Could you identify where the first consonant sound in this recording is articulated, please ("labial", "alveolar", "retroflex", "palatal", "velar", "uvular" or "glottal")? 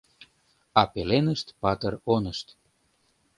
labial